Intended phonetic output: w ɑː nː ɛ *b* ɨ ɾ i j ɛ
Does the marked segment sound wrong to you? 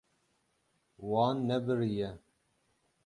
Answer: no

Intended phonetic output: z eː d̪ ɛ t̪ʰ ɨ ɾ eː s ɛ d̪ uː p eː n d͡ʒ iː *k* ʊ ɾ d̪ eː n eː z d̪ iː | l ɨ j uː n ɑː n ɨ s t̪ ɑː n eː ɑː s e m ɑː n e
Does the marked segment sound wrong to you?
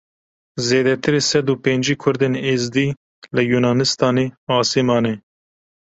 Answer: yes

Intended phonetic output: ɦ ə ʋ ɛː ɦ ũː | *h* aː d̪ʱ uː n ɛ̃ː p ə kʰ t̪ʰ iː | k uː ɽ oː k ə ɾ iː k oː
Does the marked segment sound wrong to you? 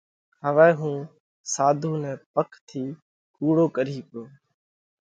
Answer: yes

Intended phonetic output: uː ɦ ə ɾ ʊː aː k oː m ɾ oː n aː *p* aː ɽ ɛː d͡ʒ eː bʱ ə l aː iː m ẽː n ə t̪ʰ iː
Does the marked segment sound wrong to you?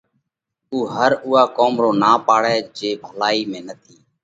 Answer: no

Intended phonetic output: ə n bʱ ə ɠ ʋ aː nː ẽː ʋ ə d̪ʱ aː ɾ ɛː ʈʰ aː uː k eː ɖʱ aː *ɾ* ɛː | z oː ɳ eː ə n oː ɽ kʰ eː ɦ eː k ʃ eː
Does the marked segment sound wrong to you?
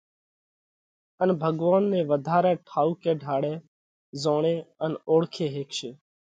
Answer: yes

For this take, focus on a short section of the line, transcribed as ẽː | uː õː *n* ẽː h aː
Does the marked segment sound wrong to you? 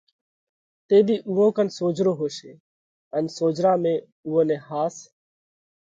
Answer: no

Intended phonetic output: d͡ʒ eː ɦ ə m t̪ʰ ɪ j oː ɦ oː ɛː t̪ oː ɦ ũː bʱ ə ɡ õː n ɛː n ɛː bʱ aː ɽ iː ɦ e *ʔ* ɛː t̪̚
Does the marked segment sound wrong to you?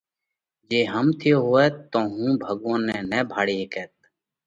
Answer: yes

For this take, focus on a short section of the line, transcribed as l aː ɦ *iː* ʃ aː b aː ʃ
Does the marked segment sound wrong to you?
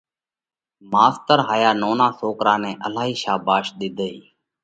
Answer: no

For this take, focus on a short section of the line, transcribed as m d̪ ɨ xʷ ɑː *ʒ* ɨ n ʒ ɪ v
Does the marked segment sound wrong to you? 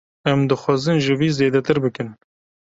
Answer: yes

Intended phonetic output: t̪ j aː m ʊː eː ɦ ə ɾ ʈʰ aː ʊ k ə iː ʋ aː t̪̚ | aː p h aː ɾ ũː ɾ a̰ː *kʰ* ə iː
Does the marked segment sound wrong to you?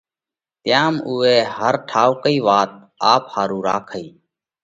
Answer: no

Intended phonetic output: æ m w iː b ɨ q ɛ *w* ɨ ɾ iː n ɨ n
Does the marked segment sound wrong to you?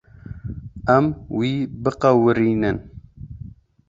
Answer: no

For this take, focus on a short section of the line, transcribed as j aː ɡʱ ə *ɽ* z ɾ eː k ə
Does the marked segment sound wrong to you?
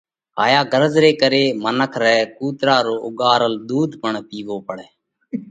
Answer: yes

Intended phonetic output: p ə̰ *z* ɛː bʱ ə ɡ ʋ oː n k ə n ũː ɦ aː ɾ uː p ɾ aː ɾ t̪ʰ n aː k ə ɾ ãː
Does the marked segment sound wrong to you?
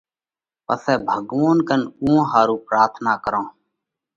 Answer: yes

